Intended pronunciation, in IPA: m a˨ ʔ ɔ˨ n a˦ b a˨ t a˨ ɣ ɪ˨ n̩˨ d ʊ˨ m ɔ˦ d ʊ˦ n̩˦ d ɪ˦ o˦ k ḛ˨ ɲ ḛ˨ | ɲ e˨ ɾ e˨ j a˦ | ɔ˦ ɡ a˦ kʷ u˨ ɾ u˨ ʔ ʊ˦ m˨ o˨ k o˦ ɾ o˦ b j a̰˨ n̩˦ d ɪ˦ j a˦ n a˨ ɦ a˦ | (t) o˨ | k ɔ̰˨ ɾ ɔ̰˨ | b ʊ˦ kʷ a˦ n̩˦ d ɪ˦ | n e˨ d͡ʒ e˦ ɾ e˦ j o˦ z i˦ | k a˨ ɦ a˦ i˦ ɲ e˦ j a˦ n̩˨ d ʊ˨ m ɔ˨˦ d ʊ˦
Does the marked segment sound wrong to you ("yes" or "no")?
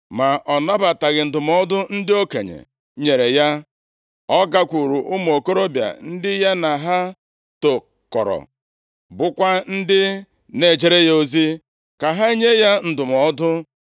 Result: no